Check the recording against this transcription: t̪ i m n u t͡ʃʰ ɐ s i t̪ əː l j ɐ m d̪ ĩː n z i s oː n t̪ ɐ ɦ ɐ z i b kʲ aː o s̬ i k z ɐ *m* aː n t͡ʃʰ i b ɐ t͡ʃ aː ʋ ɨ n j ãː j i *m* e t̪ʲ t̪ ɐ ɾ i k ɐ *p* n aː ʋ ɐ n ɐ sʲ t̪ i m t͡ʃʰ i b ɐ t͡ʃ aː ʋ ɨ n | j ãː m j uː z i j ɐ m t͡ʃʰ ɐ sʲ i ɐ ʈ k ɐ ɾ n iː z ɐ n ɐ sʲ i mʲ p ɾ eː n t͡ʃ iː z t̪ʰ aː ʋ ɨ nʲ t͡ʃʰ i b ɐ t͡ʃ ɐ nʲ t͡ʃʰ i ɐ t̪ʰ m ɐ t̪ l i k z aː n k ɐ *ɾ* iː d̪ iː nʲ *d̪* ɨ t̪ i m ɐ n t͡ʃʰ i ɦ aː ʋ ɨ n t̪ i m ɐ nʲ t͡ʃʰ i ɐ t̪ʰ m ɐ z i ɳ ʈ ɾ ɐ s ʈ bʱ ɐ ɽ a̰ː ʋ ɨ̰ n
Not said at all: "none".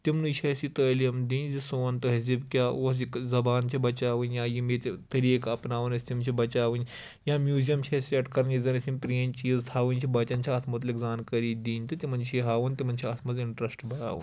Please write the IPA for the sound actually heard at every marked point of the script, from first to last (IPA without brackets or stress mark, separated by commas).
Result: b, m, p, ɾ, t̪